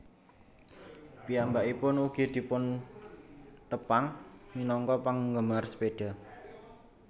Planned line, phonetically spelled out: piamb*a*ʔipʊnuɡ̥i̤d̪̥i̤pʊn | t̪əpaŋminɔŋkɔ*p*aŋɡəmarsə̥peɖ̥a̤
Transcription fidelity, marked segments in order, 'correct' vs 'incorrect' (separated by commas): correct, correct